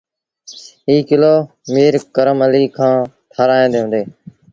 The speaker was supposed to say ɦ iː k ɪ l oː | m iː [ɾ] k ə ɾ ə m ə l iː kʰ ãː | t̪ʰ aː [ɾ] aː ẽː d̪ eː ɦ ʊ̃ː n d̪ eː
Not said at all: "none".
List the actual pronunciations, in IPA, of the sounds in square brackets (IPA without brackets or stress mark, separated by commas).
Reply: ɾ, ɾ